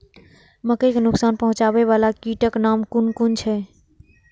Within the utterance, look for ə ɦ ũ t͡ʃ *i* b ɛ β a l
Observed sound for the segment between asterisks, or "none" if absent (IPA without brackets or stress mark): a